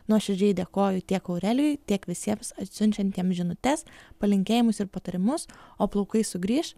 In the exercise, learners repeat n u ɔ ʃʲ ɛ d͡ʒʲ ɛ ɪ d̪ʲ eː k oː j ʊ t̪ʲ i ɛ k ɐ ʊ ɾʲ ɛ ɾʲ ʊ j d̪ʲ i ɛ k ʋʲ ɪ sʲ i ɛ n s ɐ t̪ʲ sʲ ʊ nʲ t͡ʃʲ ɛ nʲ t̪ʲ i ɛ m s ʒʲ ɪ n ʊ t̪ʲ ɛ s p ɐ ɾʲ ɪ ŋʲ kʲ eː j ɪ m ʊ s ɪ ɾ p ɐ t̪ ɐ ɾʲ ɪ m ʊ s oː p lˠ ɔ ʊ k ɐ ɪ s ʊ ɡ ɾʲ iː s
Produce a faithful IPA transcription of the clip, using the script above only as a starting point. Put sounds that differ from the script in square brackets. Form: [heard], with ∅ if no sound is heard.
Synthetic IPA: n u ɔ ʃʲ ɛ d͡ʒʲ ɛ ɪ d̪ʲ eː k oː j ʊ t̪ʲ i ɛ k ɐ ʊ ɾʲ ɛ [lʲ] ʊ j [t̪ʲ] i ɛ k ʋʲ ɪ sʲ i ɛ [m] s ɐ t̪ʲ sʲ ʊ nʲ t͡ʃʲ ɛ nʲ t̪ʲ i ɛ m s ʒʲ ɪ n ʊ t̪ʲ ɛ s p ɐ [lʲ] ɪ ŋʲ kʲ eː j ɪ m ʊ s ɪ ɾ p ɐ t̪ ɐ ɾʲ ɪ m ʊ s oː p lˠ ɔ ʊ k ɐ ɪ s ʊ ɡ ɾʲ iː [ʃ]